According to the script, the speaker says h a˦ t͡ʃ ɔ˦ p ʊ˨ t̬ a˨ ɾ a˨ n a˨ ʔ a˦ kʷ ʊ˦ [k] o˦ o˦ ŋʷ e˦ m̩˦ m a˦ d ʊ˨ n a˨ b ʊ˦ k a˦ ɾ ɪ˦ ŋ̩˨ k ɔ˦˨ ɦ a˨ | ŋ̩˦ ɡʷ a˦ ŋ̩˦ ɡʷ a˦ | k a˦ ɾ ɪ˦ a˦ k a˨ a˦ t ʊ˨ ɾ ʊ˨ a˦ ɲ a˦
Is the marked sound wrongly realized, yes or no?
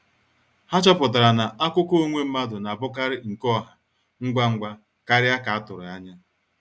no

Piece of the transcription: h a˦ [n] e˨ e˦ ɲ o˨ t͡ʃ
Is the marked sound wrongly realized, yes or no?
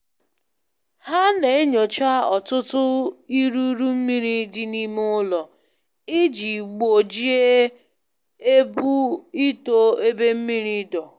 no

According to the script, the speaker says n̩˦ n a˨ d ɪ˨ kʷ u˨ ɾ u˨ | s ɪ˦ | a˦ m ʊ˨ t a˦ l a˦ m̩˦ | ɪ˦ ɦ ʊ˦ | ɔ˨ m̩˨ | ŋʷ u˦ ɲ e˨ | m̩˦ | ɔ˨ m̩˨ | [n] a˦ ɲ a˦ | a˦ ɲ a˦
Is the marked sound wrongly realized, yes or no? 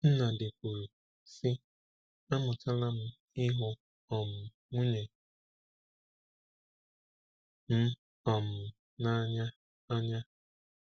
no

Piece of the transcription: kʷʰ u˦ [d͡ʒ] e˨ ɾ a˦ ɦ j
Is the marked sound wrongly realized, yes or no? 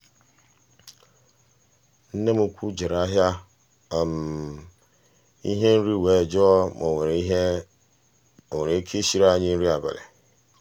no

